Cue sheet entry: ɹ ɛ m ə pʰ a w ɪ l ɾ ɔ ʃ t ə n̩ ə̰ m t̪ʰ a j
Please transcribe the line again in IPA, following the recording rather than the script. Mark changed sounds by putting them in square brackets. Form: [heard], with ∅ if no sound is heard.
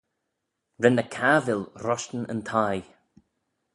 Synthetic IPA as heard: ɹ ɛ [n] ə [kʰ] a [v] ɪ l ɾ ɔ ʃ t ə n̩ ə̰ [n] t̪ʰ a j